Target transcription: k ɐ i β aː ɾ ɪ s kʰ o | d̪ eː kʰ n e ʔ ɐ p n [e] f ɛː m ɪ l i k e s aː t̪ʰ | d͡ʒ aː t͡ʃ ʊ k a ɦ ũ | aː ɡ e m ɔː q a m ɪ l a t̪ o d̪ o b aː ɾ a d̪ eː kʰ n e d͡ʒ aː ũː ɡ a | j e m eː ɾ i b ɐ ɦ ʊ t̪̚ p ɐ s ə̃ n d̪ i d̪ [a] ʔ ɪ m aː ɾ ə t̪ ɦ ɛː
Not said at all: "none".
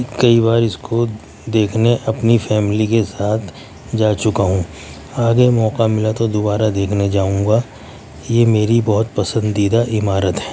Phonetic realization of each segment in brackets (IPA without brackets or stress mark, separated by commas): i, a